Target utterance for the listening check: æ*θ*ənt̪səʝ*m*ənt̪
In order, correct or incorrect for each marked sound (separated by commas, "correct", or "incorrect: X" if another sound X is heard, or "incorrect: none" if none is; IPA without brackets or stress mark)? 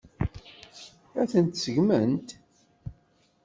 correct, correct